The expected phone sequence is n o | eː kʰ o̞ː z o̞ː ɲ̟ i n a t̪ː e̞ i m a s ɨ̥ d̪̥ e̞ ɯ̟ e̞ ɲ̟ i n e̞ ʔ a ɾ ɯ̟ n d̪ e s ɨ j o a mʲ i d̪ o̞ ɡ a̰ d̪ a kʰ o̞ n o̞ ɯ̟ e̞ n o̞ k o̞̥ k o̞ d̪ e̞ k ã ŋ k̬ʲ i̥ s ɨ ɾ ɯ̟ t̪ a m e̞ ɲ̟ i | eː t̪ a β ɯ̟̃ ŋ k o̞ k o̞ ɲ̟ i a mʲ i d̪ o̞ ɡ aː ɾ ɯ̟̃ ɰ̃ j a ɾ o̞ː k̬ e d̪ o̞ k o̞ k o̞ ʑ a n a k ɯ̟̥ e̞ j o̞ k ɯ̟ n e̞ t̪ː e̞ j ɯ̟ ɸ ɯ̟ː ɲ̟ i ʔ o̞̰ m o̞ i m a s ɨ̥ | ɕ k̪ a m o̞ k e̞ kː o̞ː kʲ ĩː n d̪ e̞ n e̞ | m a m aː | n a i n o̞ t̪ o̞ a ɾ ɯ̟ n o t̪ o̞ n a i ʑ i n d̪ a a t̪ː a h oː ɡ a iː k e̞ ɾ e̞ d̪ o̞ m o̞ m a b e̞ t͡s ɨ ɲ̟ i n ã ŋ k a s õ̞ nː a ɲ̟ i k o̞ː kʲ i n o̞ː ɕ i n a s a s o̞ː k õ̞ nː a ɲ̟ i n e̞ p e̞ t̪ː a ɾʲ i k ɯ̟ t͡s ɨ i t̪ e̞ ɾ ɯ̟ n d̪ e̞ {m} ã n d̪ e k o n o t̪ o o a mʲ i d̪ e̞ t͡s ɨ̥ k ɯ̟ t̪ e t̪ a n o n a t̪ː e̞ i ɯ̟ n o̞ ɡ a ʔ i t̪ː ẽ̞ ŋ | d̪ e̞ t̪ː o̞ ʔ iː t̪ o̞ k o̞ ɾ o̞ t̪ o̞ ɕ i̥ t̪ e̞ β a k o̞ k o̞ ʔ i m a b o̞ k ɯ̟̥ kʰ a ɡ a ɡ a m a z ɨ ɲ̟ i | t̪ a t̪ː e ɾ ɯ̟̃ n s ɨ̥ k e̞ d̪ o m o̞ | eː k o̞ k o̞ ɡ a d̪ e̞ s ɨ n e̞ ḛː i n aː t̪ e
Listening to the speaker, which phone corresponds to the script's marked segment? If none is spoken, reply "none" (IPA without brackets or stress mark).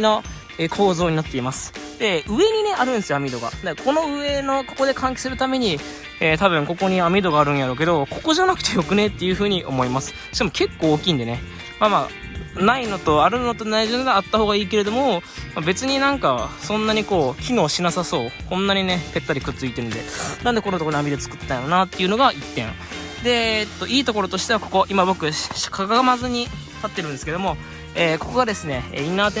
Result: n